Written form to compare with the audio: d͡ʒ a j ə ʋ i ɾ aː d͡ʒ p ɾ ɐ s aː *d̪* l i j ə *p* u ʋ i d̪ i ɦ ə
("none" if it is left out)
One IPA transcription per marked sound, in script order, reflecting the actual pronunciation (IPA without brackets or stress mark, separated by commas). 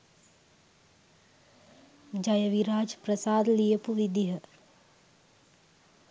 d̪, p